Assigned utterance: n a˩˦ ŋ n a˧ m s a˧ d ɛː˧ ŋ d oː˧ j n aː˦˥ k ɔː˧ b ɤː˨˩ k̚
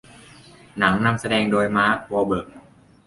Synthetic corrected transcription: n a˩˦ ŋ n a˧ m s a˧ d ɛː˧ ŋ d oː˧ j m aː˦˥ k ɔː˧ b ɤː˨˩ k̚